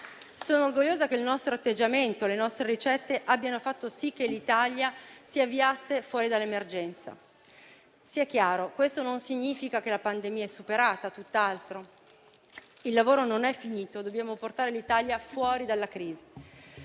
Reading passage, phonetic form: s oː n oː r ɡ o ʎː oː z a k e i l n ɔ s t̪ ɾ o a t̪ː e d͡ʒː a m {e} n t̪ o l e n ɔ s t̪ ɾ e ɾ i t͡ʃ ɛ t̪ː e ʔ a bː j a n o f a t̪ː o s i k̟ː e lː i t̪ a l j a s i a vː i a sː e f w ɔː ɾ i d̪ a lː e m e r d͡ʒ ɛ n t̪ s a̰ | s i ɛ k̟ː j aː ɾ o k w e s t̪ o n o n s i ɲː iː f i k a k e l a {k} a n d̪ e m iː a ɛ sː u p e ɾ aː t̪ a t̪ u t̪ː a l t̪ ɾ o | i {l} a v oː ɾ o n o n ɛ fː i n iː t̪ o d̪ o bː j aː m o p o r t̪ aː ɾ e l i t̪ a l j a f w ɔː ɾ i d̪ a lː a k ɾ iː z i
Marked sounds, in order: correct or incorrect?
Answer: correct, incorrect, incorrect

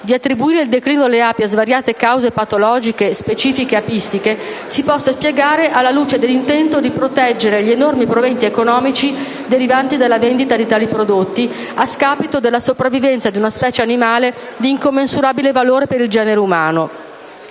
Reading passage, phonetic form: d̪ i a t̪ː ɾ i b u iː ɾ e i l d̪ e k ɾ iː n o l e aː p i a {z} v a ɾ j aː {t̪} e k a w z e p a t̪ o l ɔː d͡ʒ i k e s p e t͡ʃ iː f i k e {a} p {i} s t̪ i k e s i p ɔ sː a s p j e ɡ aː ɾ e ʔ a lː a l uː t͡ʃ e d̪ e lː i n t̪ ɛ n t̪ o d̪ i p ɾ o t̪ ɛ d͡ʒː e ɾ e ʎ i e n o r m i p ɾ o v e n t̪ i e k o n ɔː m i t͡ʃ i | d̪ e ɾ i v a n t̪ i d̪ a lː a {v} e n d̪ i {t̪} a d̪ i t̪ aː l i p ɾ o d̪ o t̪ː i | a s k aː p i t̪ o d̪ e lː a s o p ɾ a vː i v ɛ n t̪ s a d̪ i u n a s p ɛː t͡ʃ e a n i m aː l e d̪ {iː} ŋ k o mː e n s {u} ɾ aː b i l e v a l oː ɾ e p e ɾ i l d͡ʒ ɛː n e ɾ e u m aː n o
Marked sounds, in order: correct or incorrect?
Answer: correct, correct, correct, correct, correct, correct, correct, correct

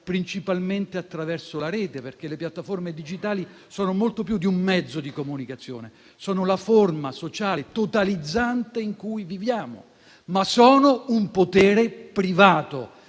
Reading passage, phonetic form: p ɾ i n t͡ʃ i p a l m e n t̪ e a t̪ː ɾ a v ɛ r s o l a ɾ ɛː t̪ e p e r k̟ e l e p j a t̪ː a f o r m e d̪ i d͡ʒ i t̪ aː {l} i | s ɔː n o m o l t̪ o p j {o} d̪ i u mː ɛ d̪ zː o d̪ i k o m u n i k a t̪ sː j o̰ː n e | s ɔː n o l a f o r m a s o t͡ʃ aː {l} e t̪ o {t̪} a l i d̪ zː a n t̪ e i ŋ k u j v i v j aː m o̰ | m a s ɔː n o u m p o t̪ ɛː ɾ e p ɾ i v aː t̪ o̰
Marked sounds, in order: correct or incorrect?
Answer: correct, incorrect, correct, correct

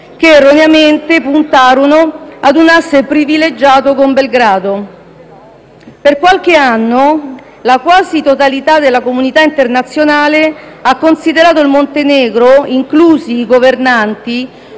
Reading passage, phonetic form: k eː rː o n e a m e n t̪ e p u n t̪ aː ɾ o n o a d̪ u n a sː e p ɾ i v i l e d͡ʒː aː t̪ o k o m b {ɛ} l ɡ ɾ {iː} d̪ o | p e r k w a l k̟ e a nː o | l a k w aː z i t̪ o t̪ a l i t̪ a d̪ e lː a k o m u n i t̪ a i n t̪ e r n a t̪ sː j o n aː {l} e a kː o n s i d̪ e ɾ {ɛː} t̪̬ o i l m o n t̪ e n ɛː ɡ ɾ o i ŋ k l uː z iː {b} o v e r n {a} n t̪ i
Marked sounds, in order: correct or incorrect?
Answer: incorrect, incorrect, correct, incorrect, incorrect, correct

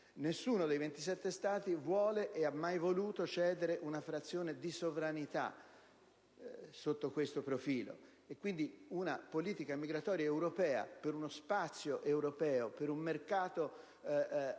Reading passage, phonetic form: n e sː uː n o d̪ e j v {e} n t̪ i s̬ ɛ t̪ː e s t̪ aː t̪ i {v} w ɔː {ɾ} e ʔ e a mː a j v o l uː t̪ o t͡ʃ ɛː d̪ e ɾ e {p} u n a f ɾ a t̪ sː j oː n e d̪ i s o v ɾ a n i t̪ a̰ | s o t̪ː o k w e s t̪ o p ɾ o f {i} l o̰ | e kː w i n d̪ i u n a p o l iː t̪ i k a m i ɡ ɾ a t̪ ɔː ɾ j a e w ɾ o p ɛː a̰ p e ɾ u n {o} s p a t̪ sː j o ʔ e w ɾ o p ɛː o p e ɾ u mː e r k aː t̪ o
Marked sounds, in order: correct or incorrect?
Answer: correct, correct, incorrect, incorrect, incorrect, correct

